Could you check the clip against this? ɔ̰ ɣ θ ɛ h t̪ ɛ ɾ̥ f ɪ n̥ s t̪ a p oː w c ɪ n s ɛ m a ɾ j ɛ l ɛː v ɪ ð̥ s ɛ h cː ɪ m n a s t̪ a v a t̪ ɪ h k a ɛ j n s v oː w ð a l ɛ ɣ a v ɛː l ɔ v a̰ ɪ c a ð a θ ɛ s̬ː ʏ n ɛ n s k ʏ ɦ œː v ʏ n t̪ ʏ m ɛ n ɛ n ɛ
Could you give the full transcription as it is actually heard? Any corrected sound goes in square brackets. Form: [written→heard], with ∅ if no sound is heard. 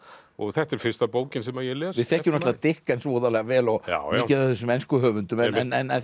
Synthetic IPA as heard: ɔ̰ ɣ θ ɛ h t̪ ɛ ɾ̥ f ɪ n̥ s t̪ a p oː w c ɪ n s ɛ m a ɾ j ɛ l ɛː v ɪ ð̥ [s→θ] ɛ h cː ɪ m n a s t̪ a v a t̪ ɪ h k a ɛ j n s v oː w ð a l ɛ ɣ a v ɛː l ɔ [v→ɣ] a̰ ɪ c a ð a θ ɛ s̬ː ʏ [n→m] ɛ n s k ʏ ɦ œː v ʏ n t̪ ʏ m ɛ n ɛ n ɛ